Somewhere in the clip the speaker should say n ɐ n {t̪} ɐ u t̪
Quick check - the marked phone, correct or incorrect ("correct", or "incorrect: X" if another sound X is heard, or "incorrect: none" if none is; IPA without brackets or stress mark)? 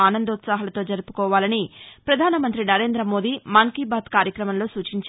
incorrect: d̪